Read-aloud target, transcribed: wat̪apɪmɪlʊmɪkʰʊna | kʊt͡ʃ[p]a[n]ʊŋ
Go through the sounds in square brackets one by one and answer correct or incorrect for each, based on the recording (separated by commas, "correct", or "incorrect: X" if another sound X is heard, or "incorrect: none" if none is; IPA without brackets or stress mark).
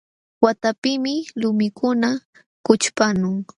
correct, correct